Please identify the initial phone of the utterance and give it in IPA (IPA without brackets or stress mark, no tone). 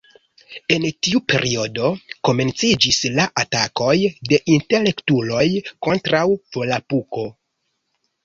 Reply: e̞